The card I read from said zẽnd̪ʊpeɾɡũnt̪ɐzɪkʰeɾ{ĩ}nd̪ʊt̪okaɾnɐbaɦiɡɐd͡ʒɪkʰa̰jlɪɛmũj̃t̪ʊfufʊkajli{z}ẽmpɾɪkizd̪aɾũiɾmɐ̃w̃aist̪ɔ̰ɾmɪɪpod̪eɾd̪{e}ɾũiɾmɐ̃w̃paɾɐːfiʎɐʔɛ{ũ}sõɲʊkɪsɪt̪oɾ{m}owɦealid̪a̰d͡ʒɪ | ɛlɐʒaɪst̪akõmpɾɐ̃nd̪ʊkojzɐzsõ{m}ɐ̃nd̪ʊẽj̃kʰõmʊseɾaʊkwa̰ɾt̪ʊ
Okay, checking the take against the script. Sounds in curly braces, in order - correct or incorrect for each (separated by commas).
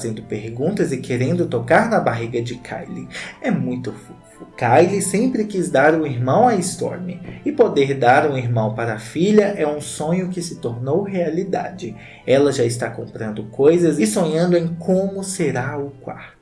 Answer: incorrect, incorrect, incorrect, correct, incorrect, incorrect